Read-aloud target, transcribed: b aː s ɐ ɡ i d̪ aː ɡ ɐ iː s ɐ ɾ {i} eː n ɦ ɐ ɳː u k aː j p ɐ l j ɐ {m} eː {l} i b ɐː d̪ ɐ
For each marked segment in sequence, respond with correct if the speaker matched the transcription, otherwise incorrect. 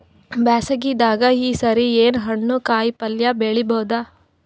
correct, incorrect, incorrect

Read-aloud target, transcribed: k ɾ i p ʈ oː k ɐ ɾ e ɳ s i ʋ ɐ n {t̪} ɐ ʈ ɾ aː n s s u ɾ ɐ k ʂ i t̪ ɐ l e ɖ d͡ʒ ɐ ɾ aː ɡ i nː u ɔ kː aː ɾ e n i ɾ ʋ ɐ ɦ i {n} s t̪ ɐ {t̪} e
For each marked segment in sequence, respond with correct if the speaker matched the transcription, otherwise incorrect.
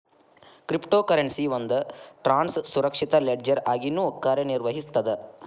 incorrect, incorrect, incorrect

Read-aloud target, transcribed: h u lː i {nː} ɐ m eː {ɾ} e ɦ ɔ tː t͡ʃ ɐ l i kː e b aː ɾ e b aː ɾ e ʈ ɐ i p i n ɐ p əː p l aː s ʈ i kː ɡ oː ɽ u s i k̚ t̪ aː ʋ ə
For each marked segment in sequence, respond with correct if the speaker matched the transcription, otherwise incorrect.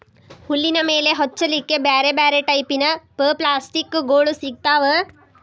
incorrect, incorrect

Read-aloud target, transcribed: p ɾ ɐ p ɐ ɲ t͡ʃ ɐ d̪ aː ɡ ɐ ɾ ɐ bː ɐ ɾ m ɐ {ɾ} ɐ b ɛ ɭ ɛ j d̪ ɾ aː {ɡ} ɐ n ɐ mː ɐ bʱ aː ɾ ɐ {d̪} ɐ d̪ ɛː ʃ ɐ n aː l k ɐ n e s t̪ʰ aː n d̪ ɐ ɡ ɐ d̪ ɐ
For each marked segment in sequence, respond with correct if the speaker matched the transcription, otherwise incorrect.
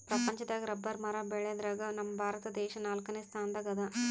correct, correct, incorrect

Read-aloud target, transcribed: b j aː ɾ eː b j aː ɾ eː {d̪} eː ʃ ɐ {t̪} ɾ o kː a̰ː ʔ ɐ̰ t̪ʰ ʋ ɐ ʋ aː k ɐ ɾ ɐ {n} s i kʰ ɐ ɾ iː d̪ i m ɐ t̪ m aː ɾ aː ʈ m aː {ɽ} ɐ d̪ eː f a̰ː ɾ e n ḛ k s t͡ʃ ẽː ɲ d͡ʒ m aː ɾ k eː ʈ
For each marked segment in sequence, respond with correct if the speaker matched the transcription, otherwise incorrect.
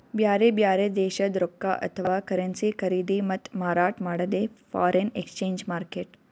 correct, incorrect, correct, correct

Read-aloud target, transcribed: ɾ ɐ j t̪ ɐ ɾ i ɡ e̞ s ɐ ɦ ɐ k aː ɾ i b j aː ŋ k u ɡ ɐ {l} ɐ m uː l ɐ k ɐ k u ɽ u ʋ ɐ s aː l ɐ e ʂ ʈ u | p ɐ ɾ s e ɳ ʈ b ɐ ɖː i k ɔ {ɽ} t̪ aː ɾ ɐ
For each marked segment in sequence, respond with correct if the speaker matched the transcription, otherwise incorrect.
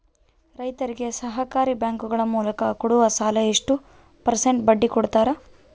incorrect, correct

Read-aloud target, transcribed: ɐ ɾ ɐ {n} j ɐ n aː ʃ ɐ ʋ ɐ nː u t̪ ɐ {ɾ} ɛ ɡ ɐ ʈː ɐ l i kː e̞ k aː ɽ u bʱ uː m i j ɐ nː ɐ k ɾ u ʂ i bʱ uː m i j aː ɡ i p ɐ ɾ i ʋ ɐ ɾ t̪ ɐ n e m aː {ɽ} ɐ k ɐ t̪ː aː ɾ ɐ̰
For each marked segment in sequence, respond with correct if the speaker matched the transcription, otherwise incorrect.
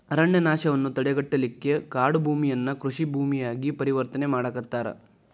incorrect, incorrect, correct

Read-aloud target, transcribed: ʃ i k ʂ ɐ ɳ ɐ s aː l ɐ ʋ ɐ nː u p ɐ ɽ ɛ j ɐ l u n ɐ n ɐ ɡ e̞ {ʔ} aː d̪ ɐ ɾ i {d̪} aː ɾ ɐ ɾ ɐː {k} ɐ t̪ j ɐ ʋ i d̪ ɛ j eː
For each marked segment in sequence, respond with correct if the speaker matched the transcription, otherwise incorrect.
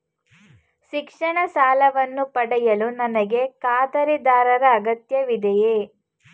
incorrect, correct, incorrect

